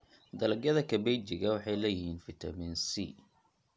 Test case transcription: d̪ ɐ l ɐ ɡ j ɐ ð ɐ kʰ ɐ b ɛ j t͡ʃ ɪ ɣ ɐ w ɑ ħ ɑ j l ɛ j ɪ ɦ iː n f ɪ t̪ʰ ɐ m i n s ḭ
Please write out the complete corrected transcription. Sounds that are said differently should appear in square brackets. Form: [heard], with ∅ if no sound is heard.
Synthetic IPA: d̪ ɐ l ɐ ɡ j ɐ ð ɐ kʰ ɐ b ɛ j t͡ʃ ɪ ɣ ɐ w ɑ ħ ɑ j l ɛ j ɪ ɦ iː n f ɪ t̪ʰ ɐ m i n s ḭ